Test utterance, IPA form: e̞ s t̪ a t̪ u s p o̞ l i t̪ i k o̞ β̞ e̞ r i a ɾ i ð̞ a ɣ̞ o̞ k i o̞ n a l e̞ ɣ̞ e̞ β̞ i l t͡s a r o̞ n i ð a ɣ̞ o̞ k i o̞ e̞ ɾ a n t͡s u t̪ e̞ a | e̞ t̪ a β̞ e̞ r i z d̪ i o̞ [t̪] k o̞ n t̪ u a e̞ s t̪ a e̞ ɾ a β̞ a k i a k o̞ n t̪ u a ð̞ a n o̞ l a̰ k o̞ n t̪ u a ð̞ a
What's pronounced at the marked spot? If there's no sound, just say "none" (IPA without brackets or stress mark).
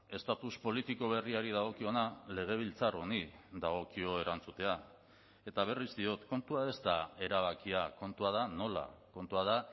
t̪